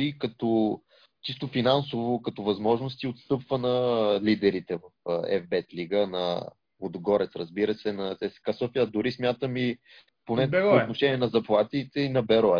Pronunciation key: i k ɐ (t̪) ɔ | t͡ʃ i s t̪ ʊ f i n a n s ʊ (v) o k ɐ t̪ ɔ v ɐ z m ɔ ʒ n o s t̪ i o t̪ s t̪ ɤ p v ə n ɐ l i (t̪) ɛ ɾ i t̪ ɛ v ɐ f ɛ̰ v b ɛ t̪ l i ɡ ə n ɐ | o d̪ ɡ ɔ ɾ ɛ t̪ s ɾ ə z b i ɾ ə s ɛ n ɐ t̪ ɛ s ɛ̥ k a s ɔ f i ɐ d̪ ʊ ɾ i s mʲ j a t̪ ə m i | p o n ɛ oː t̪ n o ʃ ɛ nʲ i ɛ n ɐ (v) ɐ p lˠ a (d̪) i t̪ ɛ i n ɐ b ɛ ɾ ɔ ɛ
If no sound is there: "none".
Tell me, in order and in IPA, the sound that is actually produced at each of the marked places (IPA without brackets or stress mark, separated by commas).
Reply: t̪, v, d̪, z, t̪